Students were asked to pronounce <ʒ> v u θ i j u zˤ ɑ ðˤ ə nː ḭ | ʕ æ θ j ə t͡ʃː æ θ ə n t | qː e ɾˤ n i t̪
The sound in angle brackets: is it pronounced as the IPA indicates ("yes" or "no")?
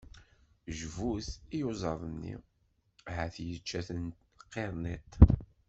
yes